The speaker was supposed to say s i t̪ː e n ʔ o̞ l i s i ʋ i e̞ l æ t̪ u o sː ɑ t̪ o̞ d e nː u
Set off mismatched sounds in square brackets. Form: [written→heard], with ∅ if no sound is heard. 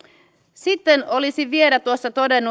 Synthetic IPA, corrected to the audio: s i t̪ː e n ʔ o̞ l i s i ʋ i e̞ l æ t̪ u o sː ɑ t̪ o̞ d e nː u

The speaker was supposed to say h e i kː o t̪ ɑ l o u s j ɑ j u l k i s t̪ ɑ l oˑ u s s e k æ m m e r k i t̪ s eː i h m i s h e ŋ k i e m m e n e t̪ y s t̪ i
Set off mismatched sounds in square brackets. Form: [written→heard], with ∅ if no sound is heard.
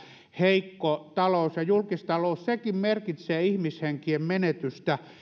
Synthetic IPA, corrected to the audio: h e i kː o t̪ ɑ l o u s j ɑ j u l k i s t̪ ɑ l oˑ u s s e k [æ→i] m m e r k i t̪ s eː i h m i s h e ŋ k i e m m e n e t̪ y s t̪ [i→æ]

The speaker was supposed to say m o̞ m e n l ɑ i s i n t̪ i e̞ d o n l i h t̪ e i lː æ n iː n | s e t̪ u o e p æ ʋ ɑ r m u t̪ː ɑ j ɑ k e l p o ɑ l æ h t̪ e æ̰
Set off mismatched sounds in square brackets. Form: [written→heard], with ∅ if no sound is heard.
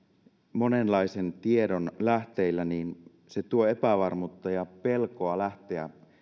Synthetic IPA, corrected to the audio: m o̞ [m→n] e n l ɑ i s [i→e] n t̪ i e̞ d o n l [i→æ] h t̪ e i lː æ n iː n | s e t̪ u o e p æ ʋ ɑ r m u t̪ː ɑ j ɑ [k→p] e l [p→k] o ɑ l æ h t̪ e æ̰

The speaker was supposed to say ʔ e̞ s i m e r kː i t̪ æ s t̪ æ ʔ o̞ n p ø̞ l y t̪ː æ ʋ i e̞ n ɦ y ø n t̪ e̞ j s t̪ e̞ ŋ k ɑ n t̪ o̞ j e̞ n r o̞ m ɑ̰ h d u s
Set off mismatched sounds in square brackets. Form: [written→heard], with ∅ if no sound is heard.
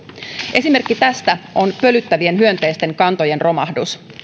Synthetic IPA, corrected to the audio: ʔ e̞ s i m e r kː i t̪ æ s t̪ æ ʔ o̞ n p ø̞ l y t̪ː æ ʋ i e̞ n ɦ y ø n t̪ e̞ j s t̪ e̞ ŋ k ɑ n t̪ o̞ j e̞ n r o̞ m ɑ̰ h d u s

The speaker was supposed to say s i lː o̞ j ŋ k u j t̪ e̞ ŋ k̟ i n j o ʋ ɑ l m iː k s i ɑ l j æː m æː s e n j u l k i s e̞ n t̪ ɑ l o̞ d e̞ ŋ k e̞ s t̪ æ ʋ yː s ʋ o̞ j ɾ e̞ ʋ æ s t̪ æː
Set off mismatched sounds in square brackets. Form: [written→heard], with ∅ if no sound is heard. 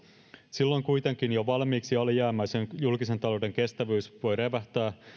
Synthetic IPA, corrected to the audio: s i lː o̞ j ŋ k u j t̪ e̞ ŋ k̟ i n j o ʋ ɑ l m iː k s i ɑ l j æː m æː s e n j u l k i s e̞ n t̪ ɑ l o̞ d e̞ ŋ k e̞ s t̪ æ ʋ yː s ʋ o̞ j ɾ e̞ ʋ æ [s→h] t̪ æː

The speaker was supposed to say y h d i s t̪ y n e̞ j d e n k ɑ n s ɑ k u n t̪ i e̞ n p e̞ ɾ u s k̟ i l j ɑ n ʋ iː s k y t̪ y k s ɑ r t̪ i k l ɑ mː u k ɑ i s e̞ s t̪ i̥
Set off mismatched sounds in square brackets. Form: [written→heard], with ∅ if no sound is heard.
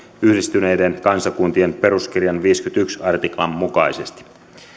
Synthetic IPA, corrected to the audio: y h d i s t̪ y n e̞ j d e n k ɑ n s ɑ k u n t̪ i e̞ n p e̞ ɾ u s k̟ i [l→r] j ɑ n ʋ iː s k y t̪ y k s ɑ r t̪ i k l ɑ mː u k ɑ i s e̞ s t̪ i̥

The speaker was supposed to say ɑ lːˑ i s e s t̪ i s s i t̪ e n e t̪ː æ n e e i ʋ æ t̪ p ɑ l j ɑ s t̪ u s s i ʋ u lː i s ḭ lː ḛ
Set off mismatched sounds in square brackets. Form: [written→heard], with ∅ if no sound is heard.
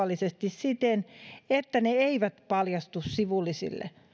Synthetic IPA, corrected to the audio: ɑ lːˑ i s e s t̪ i s s i t̪ e n e t̪ː æ n e e i ʋ æ t̪ p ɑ l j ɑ s t̪ u s s i ʋ u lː i s ḭ lː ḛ

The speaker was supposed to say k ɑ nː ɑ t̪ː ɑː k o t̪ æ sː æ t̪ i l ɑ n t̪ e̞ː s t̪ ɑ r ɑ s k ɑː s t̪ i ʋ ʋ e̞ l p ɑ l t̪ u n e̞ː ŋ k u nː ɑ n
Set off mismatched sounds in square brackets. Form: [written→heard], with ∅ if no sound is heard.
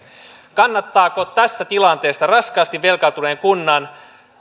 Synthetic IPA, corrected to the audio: k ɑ nː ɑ t̪ː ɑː k o t̪ æ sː æ t̪ i l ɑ n t̪ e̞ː s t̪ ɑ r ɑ s k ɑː s t̪ i ʋ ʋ e̞ l [p→k] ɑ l t̪ u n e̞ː ŋ k u nː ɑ n

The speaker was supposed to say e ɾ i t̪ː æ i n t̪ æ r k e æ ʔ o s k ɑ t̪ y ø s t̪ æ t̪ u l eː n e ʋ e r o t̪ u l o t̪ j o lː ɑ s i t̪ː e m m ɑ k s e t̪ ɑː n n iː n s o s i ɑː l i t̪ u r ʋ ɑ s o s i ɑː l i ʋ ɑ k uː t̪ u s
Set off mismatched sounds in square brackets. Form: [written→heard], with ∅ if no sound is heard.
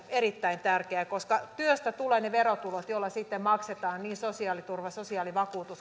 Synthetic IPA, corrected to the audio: e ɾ i t̪ː æ i n t̪ æ r k e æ [ʔ→k] o s k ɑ t̪ y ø s t̪ æ t̪ u l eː n e ʋ e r o t̪ u l o t̪ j o lː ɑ s i t̪ː e m m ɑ k s e t̪ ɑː n n iː n s o s i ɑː l i t̪ u r ʋ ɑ s o s i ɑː l i ʋ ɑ k uː t̪ u s

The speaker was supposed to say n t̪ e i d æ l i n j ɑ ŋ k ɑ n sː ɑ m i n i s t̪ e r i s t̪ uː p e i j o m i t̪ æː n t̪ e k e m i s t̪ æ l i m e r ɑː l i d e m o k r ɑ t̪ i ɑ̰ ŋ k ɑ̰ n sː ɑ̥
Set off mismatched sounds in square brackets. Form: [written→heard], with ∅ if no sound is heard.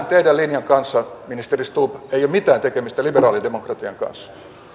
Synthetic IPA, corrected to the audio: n t̪ e i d æ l i n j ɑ ŋ k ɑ n sː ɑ m i n i s t̪ e r i s t̪ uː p e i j o m i t̪ æː n t̪ e k e m i s t̪ æ l i [m→b] e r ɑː l i d e m o k r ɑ t̪ i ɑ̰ ŋ k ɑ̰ n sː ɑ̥

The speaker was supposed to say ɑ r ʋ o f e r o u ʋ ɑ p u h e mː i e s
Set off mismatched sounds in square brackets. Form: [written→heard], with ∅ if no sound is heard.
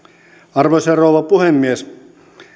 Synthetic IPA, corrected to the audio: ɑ r ʋ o [f→s] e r o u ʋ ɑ p u h e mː i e s

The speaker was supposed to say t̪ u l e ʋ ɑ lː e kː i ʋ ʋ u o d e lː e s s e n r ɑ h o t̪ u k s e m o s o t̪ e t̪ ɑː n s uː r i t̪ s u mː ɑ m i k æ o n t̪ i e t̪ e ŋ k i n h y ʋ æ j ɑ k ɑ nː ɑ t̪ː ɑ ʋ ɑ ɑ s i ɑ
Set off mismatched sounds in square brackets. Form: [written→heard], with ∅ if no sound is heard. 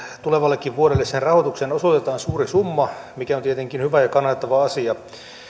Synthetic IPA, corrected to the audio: t̪ u l e ʋ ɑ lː e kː i ʋ ʋ u o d e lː e s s e n r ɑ h o t̪ u k s e [m→n] o s o t̪ e t̪ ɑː n s uː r i [t̪→∅] s u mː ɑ m i k æ o n t̪ i e t̪ e ŋ k i n h y ʋ æ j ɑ k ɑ nː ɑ t̪ː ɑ ʋ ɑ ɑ s i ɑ

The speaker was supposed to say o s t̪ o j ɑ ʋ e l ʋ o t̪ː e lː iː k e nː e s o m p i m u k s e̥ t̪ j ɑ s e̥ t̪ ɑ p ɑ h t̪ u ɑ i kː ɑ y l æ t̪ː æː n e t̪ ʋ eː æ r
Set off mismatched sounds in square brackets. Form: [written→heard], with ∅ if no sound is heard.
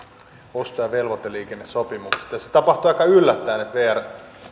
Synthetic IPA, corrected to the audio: o s t̪ o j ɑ ʋ e l ʋ o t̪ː e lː iː k e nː e s o [m→∅] p i m u k s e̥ t̪ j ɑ s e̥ t̪ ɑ p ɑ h t̪ u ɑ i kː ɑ y [l→lː] æ t̪ː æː n e t̪ ʋ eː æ r

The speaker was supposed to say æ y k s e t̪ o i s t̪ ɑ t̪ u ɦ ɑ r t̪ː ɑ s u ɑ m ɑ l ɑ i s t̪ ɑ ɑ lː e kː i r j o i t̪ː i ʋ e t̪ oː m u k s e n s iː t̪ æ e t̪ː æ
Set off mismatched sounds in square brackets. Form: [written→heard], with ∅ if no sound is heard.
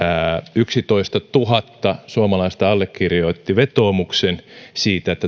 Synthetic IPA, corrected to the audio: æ y k s [e→i] t̪ o i s t̪ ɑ t̪ u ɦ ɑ [r→∅] t̪ː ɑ s u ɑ m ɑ l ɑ i s t̪ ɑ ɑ lː e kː i r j o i t̪ː i ʋ e t̪ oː m u k s e n s iː t̪ æ e t̪ː æ

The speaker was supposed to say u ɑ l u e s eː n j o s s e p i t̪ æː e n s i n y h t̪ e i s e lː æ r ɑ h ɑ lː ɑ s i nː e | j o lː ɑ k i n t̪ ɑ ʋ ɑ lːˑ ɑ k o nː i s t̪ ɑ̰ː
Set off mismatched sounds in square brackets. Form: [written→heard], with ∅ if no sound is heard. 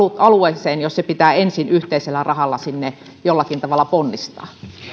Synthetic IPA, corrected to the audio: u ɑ l u e s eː n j o s s e p i t̪ æː e n s i n y h t̪ e i s e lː æ r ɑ h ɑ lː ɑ s i nː e | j o lː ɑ k i n t̪ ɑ ʋ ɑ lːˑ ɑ [k→p] o nː i s t̪ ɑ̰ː

